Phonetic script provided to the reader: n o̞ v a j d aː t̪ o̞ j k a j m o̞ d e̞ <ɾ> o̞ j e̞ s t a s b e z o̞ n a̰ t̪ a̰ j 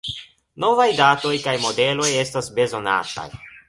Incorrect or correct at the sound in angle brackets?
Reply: incorrect: l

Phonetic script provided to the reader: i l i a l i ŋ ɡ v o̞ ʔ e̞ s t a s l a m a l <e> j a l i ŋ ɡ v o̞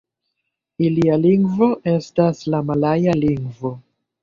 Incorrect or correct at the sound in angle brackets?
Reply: incorrect: a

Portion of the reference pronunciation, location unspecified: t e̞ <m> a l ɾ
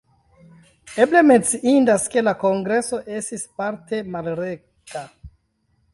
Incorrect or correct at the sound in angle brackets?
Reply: correct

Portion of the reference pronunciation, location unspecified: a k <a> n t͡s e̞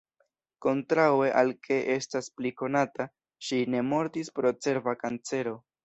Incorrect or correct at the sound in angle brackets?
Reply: correct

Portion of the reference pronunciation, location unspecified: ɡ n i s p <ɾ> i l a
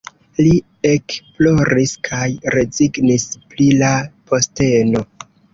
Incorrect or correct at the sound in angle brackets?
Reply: incorrect: l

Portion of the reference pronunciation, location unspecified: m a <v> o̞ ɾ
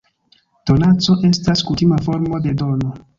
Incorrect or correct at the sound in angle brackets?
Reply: incorrect: f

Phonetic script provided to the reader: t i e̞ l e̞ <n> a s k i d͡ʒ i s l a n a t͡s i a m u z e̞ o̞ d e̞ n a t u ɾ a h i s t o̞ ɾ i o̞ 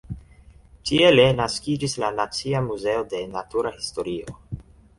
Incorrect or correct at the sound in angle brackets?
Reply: correct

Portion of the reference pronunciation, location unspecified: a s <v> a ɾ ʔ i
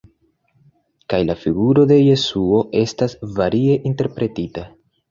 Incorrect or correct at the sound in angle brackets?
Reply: correct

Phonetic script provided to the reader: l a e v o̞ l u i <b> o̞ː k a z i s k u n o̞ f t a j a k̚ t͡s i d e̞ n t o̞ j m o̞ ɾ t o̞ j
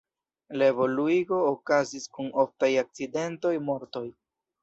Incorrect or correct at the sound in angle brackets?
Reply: incorrect: ɡ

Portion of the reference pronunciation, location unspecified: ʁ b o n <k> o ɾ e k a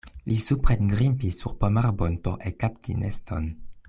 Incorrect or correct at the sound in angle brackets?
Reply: incorrect: p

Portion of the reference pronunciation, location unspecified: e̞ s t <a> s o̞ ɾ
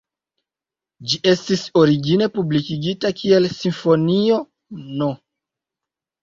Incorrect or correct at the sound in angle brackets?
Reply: incorrect: i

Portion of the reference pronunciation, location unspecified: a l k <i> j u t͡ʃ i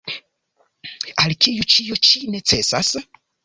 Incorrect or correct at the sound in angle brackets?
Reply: correct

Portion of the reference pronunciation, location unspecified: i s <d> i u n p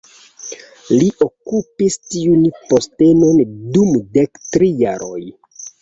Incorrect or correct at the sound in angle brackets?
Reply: incorrect: t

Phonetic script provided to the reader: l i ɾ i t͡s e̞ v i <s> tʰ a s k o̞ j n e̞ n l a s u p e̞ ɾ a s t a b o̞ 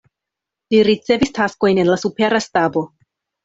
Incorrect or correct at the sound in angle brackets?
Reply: correct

